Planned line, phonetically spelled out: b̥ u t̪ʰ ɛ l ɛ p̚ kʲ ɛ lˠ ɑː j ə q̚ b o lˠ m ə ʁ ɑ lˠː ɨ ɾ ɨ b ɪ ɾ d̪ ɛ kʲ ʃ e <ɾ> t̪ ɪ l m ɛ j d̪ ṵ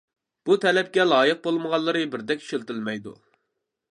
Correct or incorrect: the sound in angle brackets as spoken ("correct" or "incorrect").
incorrect